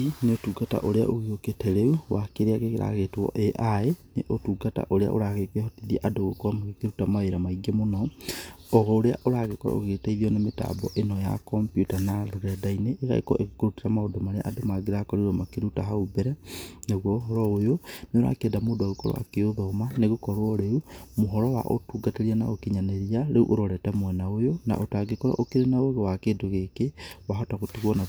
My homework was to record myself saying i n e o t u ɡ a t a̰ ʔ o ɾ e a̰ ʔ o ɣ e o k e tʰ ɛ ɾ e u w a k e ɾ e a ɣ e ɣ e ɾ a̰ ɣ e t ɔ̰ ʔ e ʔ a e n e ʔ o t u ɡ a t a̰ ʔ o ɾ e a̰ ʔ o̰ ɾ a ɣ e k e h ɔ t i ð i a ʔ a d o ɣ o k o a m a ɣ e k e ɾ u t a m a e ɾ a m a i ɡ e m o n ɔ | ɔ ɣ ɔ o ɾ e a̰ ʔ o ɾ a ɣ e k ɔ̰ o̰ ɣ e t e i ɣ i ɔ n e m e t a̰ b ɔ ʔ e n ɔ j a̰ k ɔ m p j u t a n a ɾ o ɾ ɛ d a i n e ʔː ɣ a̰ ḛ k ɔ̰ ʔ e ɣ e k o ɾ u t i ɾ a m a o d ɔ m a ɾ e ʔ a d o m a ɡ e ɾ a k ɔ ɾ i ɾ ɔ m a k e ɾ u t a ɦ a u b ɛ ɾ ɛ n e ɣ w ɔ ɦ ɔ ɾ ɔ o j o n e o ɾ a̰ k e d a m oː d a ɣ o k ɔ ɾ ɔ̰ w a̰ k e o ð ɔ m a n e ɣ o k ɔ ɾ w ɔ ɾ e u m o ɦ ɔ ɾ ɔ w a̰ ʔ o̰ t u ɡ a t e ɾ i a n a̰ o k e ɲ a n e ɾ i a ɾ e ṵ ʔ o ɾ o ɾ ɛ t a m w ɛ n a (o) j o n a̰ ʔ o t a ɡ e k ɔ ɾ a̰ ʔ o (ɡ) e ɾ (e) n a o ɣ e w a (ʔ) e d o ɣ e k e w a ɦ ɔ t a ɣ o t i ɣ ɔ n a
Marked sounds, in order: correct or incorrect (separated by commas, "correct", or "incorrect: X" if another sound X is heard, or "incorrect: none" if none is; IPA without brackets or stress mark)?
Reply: correct, incorrect: k, correct, incorrect: k